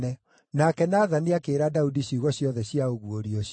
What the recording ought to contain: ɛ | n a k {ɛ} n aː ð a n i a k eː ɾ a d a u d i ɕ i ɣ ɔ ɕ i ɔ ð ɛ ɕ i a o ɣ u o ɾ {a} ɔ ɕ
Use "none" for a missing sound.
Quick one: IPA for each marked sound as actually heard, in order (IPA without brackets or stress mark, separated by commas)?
ɛ, i